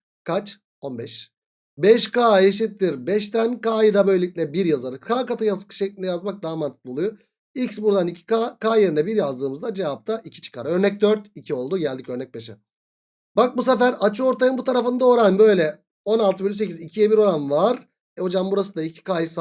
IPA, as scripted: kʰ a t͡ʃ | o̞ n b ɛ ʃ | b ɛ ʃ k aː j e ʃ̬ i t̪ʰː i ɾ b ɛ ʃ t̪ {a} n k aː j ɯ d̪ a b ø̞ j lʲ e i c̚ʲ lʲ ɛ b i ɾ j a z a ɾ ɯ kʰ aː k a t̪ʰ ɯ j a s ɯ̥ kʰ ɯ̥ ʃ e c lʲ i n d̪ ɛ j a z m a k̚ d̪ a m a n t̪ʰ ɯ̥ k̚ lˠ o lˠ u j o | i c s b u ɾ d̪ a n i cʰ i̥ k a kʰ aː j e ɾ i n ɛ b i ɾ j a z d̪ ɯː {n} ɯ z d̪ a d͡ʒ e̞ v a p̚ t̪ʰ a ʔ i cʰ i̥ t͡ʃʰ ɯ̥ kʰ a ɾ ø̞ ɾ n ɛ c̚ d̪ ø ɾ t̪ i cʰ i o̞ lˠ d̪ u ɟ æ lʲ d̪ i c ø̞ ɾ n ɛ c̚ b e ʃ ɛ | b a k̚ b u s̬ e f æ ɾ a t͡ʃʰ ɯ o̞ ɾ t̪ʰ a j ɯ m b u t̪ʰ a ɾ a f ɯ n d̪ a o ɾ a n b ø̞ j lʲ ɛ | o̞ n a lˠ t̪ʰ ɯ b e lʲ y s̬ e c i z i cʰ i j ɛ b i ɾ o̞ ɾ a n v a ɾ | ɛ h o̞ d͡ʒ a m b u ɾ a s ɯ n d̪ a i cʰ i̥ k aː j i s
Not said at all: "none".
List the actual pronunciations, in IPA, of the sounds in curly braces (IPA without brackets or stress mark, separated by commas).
æ, m